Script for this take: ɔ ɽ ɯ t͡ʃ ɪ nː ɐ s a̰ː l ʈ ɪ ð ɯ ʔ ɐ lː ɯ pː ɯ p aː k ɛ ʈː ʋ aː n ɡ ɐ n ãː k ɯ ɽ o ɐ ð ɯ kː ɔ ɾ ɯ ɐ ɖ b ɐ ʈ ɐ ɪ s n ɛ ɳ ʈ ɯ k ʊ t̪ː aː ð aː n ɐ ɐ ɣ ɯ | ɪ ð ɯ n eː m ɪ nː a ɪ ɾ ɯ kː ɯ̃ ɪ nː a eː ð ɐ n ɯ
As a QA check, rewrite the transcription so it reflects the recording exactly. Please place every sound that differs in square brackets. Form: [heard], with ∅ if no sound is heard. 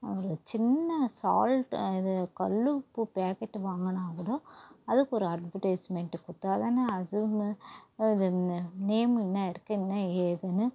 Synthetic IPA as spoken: ɔ [ɾ] ɯ t͡ʃ ɪ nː ɐ s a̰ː l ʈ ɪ ð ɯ [k] ɐ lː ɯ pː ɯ p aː k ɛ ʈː ʋ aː [ŋ] ɡ ɐ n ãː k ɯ ɽ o ɐ ð ɯ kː ɔ ɾ ɯ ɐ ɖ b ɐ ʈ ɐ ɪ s [m] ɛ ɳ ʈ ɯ k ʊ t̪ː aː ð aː n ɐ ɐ [ð] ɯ | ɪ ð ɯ n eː m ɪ nː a ɪ ɾ ɯ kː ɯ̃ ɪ nː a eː ð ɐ n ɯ